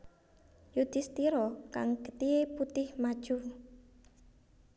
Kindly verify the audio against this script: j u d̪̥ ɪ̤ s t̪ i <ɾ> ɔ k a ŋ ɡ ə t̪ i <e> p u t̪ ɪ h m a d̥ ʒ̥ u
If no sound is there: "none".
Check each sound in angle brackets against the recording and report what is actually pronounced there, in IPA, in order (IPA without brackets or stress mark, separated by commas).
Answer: ɾ, e